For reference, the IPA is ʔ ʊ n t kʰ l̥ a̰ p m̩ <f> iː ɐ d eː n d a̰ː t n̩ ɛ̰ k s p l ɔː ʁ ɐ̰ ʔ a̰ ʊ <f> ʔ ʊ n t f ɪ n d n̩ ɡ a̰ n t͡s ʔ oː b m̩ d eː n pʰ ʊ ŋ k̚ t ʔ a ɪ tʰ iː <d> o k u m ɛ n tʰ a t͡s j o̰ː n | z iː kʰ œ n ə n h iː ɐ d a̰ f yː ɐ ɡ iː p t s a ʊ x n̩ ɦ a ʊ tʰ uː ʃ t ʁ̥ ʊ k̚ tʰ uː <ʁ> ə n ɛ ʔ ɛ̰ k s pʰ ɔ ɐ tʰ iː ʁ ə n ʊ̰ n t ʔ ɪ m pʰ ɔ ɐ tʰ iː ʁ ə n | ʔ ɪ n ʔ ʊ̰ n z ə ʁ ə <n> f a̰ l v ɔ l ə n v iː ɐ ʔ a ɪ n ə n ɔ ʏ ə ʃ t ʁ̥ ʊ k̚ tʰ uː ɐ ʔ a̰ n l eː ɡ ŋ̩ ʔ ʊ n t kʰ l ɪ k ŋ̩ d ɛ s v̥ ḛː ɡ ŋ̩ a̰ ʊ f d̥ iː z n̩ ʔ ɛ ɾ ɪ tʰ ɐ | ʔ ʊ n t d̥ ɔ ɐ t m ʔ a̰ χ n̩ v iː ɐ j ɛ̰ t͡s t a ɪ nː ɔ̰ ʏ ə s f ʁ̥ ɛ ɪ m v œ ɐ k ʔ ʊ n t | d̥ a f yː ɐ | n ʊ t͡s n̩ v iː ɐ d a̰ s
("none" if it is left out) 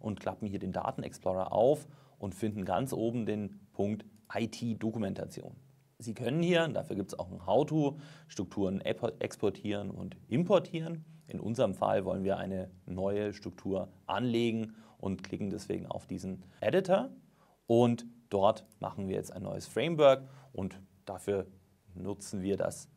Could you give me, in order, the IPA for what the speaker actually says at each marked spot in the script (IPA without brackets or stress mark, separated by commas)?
h, f, d, ʁ, m